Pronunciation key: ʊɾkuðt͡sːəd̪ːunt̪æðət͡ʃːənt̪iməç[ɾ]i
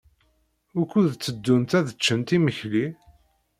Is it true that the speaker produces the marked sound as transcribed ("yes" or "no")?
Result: no